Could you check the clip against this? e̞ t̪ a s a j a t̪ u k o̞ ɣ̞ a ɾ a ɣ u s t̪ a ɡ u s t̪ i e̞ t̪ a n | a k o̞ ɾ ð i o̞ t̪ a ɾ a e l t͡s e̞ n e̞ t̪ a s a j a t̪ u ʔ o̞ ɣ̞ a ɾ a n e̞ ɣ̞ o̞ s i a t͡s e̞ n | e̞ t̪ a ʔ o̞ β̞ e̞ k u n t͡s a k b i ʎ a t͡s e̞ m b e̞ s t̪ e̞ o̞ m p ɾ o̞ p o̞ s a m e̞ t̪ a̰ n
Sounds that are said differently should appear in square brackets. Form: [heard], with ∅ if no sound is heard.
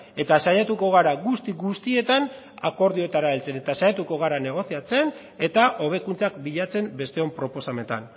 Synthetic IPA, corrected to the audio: e̞ t̪ a s a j a t̪ u k o̞ ɣ̞ a ɾ a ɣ u s t̪ [i] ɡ u s t̪ i e̞ t̪ a n | a k o̞ ɾ ð i o̞ t̪ a ɾ a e l t͡s e̞ n e̞ t̪ a s a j a t̪ u [k] o̞ ɣ̞ a ɾ a n e̞ ɣ̞ o̞ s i a t͡s e̞ n | e̞ t̪ a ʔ o̞ β̞ e̞ k u n t͡s a k b i ʎ a t͡s e̞ m b e̞ s t̪ e̞ o̞ m p ɾ o̞ p o̞ s a m e̞ t̪ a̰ n